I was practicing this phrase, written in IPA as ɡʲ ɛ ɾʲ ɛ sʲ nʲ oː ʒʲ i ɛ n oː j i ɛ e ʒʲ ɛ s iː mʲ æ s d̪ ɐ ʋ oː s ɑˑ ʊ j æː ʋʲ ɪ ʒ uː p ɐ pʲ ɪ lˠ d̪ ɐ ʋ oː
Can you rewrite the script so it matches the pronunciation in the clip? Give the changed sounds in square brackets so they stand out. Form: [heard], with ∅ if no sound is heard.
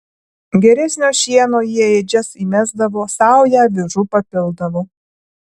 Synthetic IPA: ɡʲ ɛ ɾʲ ɛ sʲ nʲ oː [ʃʲ] i ɛ n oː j i ɛ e [d͡ʒʲ] ɛ s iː mʲ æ [z] d̪ ɐ ʋ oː s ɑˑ ʊ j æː ʋʲ ɪ ʒ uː p ɐ pʲ ɪ lˠ d̪ ɐ ʋ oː